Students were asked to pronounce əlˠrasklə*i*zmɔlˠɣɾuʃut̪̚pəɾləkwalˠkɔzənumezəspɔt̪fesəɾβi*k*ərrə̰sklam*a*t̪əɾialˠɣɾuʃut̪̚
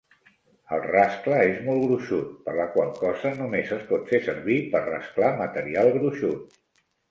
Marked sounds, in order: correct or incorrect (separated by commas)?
incorrect, incorrect, incorrect